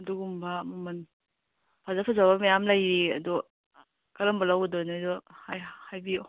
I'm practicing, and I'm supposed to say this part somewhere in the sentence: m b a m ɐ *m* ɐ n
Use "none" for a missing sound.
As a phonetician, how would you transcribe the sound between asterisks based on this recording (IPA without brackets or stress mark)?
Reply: m